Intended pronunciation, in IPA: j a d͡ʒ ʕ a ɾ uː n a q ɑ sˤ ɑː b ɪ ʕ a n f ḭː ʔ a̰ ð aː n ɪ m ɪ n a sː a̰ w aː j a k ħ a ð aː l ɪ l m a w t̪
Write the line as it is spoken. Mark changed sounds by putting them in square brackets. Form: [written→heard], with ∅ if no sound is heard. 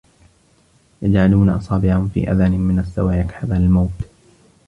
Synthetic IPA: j a d͡ʒ ʕ a [ɾ→l] uː n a [q→ʔ] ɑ sˤ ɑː b ɪ ʕ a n f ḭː ʔ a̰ ð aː n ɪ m ɪ n a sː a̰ w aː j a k ħ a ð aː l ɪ l m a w t̪

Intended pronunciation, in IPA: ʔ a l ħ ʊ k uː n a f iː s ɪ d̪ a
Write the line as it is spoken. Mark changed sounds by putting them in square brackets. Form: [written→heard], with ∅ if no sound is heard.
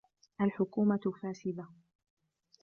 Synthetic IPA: ʔ a l ħ ʊ k uː [n→m] a f [iː→aː] s ɪ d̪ a

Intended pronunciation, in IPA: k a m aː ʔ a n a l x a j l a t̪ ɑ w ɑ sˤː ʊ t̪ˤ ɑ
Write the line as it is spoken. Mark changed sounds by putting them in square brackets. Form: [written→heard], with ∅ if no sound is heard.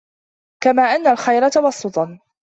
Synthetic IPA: k a m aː ʔ a [n→nː] a l x a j [l→ɾ] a t̪ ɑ w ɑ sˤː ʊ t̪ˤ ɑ

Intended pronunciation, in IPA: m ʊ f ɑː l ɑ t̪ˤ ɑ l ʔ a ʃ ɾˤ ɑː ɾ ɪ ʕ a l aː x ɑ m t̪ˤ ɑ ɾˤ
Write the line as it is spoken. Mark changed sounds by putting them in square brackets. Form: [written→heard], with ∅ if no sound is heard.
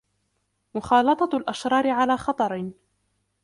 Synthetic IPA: m ʊ [f→x] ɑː l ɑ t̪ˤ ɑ l ʔ a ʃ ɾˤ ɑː ɾ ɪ ʕ a l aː x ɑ [m→∅] t̪ˤ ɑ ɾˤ

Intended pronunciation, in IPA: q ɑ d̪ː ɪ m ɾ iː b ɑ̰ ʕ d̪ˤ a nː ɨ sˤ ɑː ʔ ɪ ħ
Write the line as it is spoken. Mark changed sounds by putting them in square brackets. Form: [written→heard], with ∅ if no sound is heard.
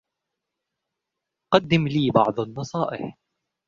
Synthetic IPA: q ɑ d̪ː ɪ m [ɾ→l] iː b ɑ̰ ʕ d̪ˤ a nː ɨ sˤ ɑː ʔ ɪ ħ

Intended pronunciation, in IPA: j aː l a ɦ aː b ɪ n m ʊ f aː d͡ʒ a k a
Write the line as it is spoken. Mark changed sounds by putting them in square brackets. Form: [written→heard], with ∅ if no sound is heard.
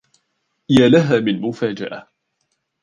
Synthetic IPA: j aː l a ɦ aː [b→m] ɪ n m ʊ f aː d͡ʒ a [k→ʔ] a

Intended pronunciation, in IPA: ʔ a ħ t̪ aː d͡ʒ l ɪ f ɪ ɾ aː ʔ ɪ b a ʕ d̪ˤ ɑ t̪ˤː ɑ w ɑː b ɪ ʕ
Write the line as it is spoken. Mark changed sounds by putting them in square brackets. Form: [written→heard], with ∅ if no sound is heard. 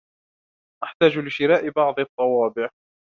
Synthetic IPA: ʔ a ħ t̪ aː d͡ʒ l ɪ [f→ʃ] ɪ ɾ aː ʔ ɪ b [a→ɑ] ʕ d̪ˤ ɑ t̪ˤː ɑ w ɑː b ɪ ʕ

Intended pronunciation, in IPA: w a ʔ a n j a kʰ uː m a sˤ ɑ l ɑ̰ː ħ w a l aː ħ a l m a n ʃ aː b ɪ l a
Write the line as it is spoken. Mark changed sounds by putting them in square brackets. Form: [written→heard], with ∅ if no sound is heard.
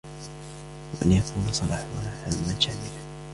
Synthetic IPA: w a ʔ a n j a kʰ uː [m→n] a sˤ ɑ l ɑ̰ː ħ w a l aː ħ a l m a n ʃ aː [b→m] ɪ l a

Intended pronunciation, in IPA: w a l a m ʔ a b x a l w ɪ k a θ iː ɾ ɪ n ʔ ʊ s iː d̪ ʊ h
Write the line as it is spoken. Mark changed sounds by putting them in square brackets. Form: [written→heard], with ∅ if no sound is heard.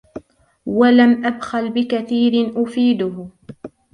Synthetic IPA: w a l a m ʔ a b x a l [w→b] ɪ k a θ iː ɾ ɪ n ʔ ʊ [s→f] iː d̪ ʊ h

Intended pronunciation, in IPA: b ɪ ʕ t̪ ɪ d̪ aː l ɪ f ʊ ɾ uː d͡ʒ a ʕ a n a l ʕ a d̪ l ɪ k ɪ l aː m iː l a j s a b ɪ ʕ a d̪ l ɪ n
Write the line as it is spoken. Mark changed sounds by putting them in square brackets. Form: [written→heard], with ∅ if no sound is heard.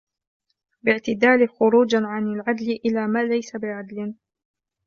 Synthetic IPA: b ɪ ʕ t̪ ɪ d̪ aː l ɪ [f→x] ʊ ɾ uː d͡ʒ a ʕ a n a l ʕ a d̪ l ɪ [k→ʔ] ɪ l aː m [iː→aː] l a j s a b ɪ ʕ a d̪ l ɪ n

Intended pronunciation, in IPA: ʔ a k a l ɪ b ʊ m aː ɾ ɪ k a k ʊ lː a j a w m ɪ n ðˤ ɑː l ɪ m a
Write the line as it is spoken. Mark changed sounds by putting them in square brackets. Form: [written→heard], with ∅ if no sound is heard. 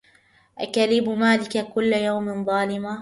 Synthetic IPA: ʔ a k a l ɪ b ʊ m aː [ɾ→l] ɪ k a k ʊ lː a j a w m ɪ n ðˤ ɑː l ɪ m a

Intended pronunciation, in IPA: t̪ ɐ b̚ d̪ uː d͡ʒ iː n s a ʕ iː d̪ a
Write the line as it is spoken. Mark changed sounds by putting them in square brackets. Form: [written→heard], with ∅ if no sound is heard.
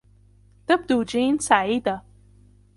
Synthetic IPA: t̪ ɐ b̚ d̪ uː d͡ʒ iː n s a ʕ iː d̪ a

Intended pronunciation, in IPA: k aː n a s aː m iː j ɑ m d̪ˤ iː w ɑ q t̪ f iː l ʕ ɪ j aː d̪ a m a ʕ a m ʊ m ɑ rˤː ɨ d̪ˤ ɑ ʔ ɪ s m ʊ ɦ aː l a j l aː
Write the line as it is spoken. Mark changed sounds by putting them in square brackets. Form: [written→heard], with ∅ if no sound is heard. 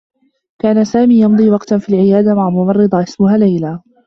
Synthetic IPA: k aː n a s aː m iː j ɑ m d̪ˤ iː w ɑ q t̪ f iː l ʕ ɪ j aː d̪ a m a ʕ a m ʊ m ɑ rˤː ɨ d̪ˤ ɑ ʔ ɪ s m ʊ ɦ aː l a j l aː

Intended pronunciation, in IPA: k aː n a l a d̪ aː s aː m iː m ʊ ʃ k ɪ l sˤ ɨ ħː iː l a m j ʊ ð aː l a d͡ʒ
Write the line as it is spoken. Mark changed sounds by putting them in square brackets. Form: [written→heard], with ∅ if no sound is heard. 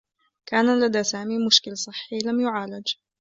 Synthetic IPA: k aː n a l a d̪ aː s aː m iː m ʊ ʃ k ɪ l sˤ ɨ ħː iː l a m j ʊ [ð→ʕ] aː l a d͡ʒ

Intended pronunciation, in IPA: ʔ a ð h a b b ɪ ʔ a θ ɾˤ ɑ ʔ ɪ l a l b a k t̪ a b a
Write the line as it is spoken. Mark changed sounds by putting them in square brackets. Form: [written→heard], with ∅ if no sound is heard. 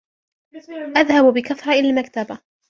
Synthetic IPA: ʔ a ð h a b b ɪ [ʔ→k] a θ ɾˤ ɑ ʔ ɪ l a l [b→m] a k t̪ a b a

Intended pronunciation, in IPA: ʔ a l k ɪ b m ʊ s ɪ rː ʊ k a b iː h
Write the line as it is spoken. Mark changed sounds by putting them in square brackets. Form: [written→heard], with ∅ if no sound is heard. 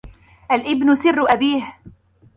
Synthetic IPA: ʔ a l [k→ʔ] ɪ b [m→n] ʊ s ɪ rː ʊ [k→ʔ] a b iː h

